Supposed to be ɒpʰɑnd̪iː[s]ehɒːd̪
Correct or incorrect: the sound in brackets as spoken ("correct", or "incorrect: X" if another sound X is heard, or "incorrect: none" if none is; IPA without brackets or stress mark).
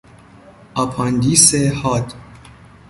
correct